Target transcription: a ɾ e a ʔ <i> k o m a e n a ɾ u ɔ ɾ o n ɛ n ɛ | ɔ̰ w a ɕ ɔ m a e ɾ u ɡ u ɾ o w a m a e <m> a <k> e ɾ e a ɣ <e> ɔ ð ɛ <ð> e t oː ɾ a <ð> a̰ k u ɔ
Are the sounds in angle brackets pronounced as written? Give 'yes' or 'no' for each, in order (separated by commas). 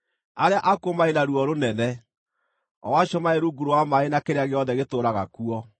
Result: no, no, yes, yes, no, no